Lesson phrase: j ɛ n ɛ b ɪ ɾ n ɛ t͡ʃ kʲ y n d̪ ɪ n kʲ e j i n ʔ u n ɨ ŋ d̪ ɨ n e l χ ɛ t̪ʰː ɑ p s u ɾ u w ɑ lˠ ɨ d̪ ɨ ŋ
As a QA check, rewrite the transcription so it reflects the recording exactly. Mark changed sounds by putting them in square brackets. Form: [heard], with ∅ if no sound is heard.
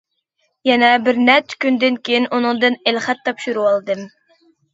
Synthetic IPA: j ɛ n ɛ b ɪ ɾ n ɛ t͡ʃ kʲ y n d̪ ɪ n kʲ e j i n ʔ u n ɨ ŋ d̪ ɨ n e l χ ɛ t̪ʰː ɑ p [ʃ] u ɾ u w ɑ lˠ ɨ d̪ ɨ [m]